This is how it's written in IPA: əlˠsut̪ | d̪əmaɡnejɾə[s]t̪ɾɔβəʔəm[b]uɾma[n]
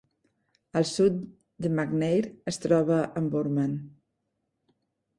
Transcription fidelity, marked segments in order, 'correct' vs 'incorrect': correct, correct, correct

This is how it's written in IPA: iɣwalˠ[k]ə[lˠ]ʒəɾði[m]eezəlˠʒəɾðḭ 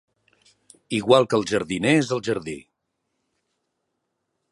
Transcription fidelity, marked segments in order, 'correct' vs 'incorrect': correct, correct, incorrect

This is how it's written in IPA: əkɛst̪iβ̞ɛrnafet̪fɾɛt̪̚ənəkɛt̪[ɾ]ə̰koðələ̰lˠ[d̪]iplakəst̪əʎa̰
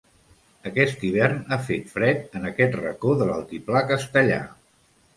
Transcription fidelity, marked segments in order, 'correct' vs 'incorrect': incorrect, incorrect

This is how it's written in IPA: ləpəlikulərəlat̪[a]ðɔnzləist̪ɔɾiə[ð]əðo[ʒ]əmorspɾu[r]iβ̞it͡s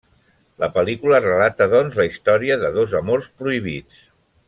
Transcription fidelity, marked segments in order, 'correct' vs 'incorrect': incorrect, correct, incorrect, incorrect

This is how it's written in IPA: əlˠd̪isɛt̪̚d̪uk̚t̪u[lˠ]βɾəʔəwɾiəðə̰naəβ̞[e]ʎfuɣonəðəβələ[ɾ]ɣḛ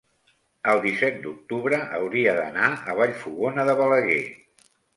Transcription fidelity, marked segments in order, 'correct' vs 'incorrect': incorrect, incorrect, incorrect

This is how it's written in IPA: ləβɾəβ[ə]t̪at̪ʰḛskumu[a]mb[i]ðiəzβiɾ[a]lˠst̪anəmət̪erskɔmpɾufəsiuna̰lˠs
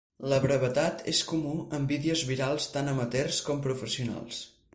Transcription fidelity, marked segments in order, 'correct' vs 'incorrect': correct, incorrect, correct, correct

